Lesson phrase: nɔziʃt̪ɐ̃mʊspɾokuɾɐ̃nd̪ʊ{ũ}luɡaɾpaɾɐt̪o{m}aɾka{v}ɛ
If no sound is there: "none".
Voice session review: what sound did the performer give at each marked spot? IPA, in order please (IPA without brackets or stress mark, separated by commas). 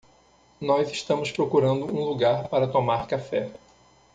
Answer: ũ, m, f